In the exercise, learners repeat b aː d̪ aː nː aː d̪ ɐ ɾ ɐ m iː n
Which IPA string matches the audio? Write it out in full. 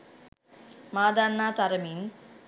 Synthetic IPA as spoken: m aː d̪ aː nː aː t̪ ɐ ɾ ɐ m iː n